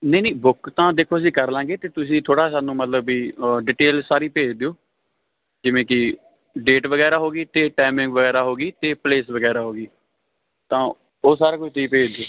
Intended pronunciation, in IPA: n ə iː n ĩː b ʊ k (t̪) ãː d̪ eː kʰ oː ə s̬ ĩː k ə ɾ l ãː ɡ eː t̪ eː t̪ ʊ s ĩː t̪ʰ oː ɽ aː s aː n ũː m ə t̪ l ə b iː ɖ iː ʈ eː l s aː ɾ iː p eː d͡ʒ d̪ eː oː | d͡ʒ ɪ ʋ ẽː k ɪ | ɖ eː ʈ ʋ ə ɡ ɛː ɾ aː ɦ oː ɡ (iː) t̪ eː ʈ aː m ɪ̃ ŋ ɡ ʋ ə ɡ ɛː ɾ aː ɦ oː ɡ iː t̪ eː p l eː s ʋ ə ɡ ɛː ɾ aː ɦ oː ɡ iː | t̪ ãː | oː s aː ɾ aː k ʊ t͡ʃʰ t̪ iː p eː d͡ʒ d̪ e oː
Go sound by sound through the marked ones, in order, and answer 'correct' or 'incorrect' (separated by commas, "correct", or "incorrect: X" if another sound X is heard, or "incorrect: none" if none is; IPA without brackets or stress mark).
correct, correct